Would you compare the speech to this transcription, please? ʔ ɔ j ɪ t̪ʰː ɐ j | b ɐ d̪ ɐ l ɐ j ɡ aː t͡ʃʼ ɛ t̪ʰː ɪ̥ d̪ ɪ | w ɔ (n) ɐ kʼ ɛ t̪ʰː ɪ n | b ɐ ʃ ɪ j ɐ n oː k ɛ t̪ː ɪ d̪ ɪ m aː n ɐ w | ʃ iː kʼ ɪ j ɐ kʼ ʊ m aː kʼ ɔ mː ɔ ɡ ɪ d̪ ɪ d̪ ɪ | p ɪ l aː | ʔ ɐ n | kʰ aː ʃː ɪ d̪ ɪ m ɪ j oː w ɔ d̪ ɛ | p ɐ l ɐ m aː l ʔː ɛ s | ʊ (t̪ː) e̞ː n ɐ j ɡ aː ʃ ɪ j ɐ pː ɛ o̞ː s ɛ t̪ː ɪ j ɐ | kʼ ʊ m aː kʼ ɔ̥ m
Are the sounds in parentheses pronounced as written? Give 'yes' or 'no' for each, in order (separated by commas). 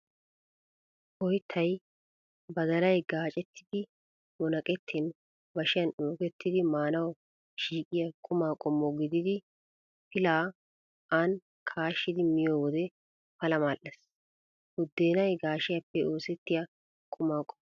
yes, no